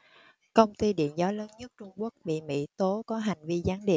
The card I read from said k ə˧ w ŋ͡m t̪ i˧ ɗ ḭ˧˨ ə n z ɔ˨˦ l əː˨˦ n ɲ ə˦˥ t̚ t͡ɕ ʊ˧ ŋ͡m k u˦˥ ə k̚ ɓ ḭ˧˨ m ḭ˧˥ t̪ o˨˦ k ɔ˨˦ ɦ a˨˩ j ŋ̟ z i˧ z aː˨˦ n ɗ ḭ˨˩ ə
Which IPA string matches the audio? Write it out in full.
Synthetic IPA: k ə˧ w ŋ͡m t̪ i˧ ɗ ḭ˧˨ ə n z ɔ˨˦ l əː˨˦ n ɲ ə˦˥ t̚ t͡ɕ ʊ˧ ŋ͡m k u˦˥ ə k̚ ɓ ḭ˧˨ m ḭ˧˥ t̪ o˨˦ k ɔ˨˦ ɦ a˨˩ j ŋ̟ v i˧ z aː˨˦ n ɗ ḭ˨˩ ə